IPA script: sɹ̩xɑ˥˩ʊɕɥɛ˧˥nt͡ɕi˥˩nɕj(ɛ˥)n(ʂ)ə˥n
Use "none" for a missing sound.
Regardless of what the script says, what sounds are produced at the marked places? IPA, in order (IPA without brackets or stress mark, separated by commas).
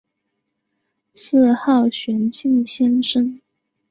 ɛ˥, ʂ